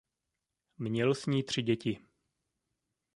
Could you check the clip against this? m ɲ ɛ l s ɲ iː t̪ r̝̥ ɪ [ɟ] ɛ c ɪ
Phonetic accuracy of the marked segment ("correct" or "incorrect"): correct